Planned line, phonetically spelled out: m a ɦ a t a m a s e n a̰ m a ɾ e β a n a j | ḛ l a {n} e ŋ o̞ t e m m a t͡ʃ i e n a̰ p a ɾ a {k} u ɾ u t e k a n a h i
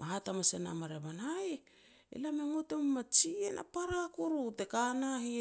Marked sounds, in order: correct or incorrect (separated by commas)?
incorrect, correct